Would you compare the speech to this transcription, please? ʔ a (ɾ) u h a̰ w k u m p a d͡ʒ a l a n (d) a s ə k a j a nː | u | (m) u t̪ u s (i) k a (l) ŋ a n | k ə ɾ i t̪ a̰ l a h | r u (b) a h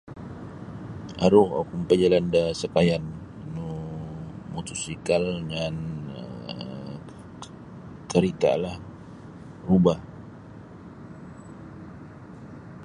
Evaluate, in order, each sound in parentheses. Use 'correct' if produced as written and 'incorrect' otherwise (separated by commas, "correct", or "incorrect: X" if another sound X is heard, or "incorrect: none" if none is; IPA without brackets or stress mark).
correct, correct, correct, correct, correct, correct